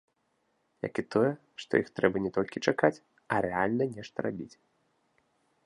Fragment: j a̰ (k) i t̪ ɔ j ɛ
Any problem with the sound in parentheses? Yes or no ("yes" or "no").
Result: no